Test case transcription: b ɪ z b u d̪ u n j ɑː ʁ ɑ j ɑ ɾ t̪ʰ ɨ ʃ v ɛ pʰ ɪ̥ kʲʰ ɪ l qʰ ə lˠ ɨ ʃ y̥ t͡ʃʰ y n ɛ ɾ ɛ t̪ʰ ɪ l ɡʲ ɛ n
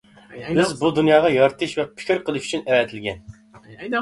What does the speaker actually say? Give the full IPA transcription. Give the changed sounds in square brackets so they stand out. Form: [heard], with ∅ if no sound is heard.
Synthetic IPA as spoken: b ɪ z b u d̪ u n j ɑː ʁ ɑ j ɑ ɾ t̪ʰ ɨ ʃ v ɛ pʰ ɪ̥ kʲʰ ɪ [ɾ] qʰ ə lˠ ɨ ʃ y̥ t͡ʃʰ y n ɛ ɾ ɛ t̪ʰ ɪ l ɡʲ ɛ n